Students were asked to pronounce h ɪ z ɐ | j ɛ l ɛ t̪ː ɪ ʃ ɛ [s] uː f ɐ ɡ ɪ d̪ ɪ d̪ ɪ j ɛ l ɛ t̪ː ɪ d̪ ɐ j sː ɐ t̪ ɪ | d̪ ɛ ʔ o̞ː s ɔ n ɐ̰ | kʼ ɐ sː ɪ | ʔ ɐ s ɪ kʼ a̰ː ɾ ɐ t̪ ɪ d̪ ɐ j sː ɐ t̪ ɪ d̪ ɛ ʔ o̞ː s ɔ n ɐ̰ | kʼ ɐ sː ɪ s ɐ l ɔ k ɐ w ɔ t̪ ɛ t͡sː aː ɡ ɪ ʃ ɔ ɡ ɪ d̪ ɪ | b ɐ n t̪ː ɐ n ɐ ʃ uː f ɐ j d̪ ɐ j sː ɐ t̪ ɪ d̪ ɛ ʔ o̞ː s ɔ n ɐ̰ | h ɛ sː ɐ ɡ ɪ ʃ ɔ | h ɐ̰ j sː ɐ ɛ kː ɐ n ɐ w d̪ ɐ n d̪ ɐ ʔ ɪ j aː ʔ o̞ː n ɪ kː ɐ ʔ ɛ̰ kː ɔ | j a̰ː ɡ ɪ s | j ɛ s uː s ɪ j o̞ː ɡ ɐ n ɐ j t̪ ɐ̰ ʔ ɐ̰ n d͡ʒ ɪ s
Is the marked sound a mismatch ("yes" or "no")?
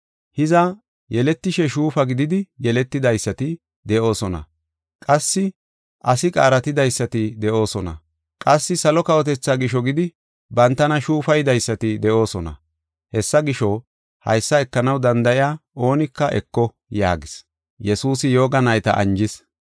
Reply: yes